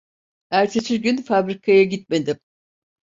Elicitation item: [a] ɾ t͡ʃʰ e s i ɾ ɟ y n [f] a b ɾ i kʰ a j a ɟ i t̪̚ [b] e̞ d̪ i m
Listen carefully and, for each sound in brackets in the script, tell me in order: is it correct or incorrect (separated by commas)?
incorrect, correct, incorrect